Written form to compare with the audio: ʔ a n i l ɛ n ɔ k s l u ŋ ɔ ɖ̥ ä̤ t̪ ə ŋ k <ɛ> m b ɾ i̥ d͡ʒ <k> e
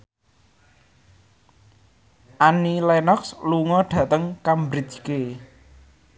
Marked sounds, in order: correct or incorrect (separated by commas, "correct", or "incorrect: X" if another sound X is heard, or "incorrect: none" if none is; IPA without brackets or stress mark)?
incorrect: a, correct